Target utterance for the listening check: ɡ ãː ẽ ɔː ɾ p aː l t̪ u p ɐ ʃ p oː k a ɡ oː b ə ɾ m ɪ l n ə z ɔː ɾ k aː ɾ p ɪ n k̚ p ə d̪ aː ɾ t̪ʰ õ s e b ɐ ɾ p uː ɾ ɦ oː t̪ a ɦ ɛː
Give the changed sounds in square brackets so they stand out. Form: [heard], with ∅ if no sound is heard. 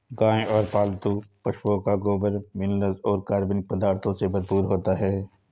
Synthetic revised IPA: ɡ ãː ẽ ɔː ɾ p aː l t̪ u p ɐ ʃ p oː k a ɡ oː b ə ɾ m ɪ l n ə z ɔː ɾ k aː ɾ [b] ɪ n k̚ p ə d̪ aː ɾ t̪ʰ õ s e b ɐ ɾ p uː ɾ ɦ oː t̪ a ɦ ɛː